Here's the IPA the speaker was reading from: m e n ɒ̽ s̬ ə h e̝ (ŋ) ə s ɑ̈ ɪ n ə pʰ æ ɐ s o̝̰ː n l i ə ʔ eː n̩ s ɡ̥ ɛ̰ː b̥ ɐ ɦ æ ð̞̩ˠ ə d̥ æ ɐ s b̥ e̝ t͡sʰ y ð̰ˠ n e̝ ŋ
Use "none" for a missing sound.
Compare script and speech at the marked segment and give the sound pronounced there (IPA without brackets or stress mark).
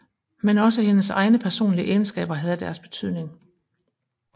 n